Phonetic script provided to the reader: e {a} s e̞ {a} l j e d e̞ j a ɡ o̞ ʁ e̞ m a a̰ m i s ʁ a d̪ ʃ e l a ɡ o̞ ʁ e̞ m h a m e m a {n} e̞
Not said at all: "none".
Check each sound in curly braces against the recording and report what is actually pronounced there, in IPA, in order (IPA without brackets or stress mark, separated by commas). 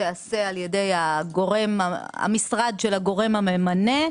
a, a, n